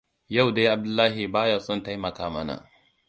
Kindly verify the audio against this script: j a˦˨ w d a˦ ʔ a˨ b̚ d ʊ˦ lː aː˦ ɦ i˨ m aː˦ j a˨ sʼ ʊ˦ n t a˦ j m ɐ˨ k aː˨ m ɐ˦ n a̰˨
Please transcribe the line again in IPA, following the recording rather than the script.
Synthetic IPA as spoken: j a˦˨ w d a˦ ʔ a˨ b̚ d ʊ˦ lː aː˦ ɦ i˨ b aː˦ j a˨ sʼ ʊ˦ n t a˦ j m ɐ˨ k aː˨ m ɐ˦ n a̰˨